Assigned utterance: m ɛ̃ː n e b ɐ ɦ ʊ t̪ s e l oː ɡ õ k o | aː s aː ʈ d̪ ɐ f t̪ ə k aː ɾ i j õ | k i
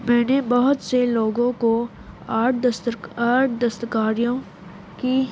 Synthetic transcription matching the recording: m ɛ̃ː n e b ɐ ɦ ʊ t̪ s e l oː ɡ õ k o | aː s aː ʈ d̪ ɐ s t̪ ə k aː ɾ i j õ | k i